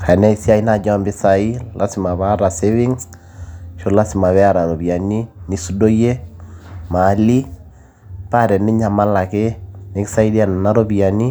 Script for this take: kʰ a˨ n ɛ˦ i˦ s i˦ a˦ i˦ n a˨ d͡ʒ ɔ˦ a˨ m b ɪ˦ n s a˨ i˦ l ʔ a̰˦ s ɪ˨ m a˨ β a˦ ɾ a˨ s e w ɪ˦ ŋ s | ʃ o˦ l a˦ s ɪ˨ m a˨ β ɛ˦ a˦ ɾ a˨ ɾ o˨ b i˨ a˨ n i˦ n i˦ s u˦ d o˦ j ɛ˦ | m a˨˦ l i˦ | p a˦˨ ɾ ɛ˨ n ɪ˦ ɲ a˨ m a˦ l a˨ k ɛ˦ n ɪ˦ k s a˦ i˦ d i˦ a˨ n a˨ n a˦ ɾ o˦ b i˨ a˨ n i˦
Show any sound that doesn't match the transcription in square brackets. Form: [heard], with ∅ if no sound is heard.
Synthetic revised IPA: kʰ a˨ n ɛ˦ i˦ s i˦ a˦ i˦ n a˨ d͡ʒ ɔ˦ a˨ m b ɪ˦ [∅] s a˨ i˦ l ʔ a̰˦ s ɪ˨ m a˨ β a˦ ɾ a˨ s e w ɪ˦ ŋ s | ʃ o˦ l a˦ s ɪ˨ m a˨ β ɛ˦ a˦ ɾ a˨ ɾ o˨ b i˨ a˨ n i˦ n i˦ s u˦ d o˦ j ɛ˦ | m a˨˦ l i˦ | p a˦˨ ɾ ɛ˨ n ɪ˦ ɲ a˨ m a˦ l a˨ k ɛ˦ n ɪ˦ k s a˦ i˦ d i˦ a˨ n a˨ n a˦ ɾ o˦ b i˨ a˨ n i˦